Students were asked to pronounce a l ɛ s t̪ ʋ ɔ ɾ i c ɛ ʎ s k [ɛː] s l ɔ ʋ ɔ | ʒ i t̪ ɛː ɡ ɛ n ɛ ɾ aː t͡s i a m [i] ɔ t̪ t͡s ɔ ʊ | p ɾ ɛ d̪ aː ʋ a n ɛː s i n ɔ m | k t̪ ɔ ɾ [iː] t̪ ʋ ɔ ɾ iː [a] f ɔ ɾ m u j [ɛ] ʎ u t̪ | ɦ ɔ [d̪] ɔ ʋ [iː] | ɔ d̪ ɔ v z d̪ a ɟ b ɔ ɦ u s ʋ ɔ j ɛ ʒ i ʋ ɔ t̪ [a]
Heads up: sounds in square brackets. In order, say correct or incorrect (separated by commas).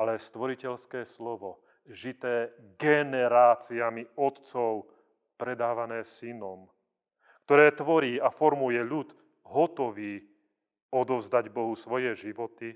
correct, correct, incorrect, correct, correct, incorrect, correct, incorrect